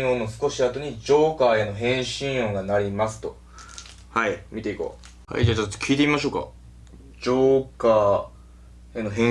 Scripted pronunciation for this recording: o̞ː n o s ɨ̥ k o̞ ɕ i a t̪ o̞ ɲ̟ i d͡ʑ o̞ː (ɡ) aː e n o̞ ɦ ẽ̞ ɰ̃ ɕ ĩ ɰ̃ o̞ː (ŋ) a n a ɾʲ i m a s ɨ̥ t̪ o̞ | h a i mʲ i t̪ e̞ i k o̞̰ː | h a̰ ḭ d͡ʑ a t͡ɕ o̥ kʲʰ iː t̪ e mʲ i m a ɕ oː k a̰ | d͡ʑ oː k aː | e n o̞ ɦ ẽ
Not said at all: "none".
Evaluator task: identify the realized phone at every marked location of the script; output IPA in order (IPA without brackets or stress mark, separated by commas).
k, ɡ